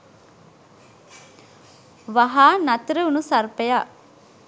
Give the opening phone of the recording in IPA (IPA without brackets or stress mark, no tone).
ʋ